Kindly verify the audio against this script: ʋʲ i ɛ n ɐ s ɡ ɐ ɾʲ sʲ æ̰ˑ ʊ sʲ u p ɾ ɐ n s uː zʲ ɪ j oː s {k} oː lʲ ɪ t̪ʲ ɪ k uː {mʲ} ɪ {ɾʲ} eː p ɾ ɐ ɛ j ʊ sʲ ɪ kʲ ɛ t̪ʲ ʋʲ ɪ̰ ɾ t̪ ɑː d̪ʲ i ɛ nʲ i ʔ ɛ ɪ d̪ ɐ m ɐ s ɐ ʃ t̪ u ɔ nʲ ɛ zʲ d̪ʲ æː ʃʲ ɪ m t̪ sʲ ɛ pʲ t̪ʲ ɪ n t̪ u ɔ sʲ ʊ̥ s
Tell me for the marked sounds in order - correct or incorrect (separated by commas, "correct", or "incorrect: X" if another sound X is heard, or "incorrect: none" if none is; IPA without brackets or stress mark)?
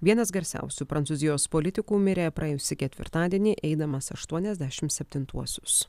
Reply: incorrect: p, correct, correct